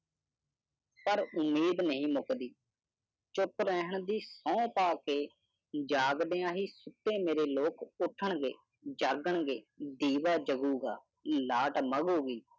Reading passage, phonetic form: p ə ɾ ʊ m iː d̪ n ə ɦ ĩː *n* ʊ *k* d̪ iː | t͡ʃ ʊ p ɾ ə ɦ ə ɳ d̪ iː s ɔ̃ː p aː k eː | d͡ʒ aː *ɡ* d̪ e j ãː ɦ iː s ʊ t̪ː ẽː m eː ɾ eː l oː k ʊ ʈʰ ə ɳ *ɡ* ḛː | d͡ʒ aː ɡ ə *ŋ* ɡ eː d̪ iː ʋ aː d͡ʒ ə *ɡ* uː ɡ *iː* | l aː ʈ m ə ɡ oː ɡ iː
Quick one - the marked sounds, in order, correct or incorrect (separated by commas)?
incorrect, correct, correct, correct, incorrect, correct, incorrect